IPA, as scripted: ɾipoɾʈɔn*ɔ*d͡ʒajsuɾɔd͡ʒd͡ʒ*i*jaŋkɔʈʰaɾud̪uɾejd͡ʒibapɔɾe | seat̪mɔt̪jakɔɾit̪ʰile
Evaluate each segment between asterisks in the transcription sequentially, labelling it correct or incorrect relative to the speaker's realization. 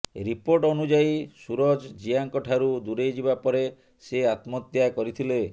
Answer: incorrect, correct

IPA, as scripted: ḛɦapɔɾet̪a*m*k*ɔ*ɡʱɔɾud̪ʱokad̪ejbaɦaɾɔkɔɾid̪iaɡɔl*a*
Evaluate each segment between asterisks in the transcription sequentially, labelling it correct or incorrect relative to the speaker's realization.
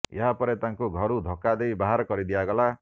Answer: incorrect, incorrect, correct

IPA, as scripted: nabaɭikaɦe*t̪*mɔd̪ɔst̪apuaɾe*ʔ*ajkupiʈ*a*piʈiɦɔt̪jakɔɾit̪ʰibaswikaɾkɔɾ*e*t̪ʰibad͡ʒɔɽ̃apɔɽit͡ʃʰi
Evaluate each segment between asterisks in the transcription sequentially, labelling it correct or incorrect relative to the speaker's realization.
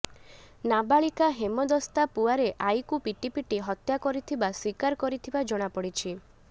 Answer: incorrect, correct, incorrect, incorrect

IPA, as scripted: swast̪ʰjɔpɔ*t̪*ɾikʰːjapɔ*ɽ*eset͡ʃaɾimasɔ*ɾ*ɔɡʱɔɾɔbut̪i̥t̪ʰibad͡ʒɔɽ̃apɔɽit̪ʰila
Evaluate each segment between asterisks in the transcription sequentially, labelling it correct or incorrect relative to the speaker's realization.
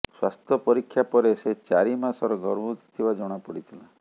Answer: incorrect, incorrect, correct

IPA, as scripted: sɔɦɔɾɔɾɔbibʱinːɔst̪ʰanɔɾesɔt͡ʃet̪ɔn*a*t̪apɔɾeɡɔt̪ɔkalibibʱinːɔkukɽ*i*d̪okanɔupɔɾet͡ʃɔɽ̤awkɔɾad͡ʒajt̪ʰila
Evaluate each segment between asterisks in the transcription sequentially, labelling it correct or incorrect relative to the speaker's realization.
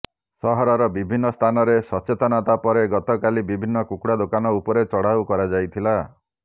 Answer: correct, incorrect

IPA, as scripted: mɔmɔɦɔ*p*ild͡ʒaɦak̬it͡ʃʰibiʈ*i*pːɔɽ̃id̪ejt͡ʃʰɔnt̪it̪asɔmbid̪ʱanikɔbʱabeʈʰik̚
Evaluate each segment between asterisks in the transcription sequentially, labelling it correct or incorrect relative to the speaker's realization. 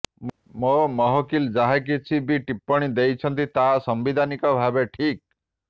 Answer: incorrect, correct

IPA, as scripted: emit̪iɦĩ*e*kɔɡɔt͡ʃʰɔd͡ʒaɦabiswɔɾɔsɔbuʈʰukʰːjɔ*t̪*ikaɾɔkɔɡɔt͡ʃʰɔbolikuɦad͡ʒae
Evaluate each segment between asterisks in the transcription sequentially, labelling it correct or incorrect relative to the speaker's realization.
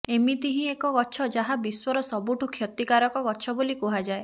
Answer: correct, correct

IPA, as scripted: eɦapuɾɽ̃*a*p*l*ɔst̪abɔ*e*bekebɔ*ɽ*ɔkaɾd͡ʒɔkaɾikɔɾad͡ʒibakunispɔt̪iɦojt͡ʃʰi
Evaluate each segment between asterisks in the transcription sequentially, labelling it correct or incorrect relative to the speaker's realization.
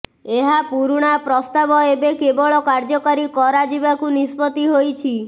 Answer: correct, incorrect, correct, incorrect

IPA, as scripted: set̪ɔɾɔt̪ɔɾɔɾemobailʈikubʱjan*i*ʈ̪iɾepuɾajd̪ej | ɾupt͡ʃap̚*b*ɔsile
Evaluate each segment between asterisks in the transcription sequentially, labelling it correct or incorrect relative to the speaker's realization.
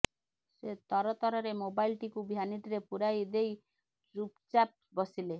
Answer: correct, correct

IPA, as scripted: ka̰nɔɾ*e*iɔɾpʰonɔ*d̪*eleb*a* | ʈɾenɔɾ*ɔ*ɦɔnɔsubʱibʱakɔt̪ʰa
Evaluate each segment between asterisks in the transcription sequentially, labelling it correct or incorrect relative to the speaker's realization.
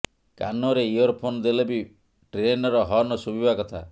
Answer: correct, correct, incorrect, correct

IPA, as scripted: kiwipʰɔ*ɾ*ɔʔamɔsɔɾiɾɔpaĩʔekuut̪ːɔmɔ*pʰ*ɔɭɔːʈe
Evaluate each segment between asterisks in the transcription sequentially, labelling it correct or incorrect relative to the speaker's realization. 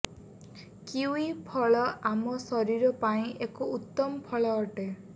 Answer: incorrect, correct

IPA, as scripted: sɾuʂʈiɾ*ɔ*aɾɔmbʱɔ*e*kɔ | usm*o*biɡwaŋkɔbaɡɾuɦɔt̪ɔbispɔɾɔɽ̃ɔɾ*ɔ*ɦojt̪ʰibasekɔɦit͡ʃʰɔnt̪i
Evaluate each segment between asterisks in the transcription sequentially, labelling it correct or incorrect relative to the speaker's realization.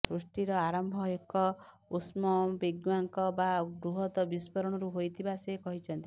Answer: correct, correct, incorrect, incorrect

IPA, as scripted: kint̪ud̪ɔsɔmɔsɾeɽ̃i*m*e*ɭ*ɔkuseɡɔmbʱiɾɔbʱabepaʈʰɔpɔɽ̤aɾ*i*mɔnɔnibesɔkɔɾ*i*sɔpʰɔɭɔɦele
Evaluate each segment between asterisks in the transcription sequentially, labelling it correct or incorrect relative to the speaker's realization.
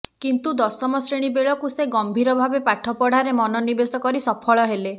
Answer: incorrect, correct, incorrect, correct

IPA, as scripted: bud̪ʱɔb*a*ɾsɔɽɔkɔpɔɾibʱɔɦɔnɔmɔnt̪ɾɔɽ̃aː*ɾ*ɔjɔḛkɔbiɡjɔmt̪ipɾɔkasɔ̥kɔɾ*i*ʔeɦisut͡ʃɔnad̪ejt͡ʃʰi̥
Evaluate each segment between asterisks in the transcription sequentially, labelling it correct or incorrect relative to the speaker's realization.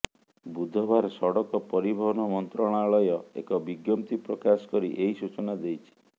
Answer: correct, incorrect, correct

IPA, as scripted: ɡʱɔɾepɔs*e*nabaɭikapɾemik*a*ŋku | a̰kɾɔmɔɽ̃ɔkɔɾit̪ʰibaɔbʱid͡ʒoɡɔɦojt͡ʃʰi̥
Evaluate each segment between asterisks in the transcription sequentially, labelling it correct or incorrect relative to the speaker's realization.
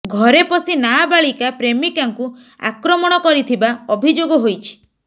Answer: incorrect, correct

